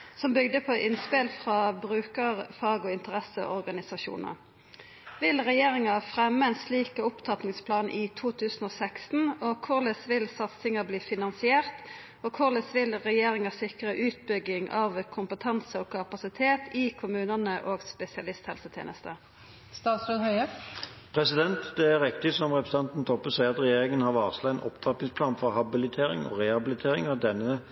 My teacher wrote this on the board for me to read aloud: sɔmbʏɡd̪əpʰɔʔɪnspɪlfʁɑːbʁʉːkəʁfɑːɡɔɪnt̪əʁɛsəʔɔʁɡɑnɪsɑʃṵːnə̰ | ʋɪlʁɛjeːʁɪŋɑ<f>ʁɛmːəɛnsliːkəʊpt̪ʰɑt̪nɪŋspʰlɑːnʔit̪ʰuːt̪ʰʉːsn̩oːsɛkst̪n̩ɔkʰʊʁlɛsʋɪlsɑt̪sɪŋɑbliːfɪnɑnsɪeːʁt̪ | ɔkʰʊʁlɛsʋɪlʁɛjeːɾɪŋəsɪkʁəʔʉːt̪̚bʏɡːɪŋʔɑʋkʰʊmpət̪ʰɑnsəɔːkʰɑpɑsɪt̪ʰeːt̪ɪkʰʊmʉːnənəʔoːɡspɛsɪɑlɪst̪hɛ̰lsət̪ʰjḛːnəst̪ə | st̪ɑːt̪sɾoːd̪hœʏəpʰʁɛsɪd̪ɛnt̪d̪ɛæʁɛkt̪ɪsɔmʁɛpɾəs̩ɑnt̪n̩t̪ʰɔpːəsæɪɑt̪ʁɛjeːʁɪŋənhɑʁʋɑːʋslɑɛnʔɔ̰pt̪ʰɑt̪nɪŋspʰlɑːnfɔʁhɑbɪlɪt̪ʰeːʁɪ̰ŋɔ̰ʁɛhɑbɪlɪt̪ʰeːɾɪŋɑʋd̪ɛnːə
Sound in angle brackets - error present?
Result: no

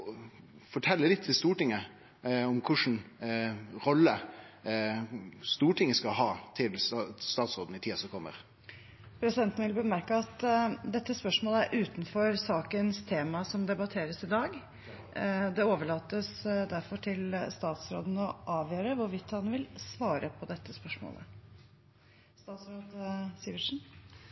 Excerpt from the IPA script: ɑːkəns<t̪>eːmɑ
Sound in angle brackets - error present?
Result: yes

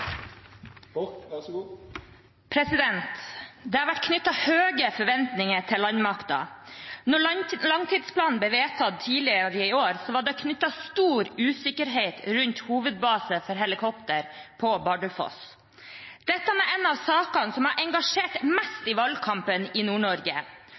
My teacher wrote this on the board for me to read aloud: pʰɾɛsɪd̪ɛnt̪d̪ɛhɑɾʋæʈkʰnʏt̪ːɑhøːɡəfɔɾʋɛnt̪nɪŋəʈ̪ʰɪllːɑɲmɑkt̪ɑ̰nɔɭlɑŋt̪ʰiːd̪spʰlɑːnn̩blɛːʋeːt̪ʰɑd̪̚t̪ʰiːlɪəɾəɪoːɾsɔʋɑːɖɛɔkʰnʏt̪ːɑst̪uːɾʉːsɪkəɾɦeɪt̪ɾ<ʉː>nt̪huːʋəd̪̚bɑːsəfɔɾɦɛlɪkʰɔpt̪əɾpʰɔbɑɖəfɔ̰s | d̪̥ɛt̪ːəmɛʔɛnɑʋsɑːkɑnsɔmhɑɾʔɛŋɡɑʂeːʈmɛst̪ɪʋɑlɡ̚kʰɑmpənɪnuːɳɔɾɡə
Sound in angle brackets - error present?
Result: yes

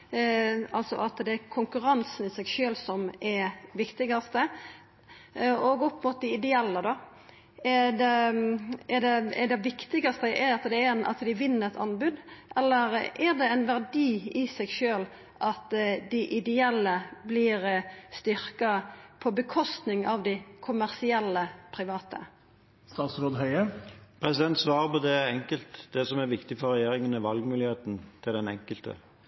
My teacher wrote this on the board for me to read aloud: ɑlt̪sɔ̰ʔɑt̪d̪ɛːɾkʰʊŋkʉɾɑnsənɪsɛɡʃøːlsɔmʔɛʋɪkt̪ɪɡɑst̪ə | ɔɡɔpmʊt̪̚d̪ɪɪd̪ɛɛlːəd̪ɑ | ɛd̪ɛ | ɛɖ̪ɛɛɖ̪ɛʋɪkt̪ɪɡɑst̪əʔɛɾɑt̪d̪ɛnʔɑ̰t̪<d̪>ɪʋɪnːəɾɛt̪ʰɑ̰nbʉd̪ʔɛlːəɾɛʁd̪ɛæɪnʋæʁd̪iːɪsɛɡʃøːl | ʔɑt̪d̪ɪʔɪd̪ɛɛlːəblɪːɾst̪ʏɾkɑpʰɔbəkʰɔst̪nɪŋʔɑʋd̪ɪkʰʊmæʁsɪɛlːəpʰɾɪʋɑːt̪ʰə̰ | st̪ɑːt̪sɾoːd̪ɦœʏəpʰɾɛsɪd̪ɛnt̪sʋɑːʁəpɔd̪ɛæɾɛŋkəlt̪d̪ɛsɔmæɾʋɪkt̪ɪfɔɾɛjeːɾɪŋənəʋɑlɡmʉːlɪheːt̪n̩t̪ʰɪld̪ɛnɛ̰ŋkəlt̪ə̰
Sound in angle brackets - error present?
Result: no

